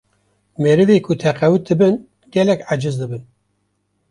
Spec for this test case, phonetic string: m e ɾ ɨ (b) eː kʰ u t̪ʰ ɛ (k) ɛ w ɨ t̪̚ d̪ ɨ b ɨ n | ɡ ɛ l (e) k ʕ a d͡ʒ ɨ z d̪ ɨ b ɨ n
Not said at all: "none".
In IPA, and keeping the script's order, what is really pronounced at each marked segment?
v, q, ɛ

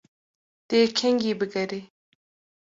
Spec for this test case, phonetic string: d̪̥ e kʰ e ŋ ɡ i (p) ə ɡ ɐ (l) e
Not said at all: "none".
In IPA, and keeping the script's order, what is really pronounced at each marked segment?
b, ɾ

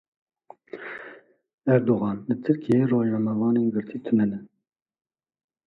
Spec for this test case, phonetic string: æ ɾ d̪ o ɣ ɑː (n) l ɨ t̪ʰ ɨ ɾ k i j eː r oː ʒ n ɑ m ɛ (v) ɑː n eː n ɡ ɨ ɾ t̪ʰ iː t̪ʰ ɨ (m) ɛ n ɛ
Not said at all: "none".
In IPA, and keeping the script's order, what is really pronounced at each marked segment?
n, v, n

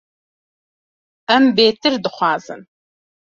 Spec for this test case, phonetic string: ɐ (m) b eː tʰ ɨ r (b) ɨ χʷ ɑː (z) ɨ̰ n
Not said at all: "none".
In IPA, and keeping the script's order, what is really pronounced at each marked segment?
m, d, z

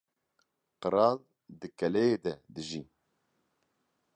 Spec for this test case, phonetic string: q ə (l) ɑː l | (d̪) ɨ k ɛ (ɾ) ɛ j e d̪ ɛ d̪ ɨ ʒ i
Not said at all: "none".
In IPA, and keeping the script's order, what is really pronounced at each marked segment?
ɾ, d̪, l

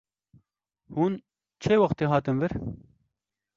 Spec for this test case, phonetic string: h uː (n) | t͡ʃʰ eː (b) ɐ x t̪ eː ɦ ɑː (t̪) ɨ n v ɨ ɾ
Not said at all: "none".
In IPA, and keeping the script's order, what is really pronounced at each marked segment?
n, w, t̪

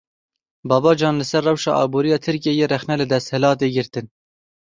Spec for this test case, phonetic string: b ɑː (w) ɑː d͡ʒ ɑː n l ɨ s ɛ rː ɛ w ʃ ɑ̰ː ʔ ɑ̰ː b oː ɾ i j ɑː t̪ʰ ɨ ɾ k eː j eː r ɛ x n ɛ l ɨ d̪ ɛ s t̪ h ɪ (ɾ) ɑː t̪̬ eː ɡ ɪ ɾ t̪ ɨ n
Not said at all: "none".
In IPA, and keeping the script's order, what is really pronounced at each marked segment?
b, l

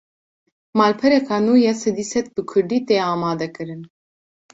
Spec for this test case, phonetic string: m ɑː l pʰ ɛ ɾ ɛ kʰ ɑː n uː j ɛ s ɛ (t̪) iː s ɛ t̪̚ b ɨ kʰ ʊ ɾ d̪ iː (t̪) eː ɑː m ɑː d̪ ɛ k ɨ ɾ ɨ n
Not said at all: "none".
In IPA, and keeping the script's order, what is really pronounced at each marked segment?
d̪, t̪

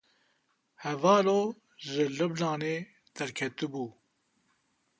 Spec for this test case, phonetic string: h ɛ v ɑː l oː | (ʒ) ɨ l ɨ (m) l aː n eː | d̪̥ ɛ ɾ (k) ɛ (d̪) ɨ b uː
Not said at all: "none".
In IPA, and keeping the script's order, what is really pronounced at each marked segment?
ʒ, b, kʰ, t̪

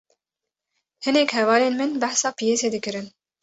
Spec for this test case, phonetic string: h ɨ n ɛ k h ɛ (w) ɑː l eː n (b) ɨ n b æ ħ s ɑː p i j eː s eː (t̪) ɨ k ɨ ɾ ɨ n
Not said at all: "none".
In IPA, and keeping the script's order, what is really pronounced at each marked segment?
v, m, d̪

